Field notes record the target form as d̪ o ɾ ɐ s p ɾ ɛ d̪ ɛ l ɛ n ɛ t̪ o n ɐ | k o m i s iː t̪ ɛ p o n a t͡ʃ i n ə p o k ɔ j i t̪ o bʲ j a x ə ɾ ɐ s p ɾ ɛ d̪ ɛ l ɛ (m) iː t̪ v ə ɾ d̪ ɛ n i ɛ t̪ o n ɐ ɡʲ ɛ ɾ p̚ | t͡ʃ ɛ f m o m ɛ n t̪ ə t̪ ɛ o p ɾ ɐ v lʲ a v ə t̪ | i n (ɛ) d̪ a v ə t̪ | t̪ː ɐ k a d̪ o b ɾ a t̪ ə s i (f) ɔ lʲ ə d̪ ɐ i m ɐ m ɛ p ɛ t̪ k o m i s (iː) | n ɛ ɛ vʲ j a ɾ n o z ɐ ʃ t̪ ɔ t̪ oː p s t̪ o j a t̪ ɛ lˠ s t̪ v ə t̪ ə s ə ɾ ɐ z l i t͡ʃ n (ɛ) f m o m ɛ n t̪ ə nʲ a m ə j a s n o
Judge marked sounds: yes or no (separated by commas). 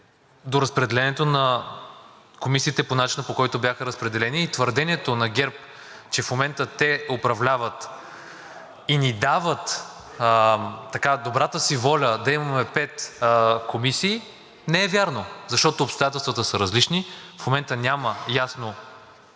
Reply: no, no, no, yes, no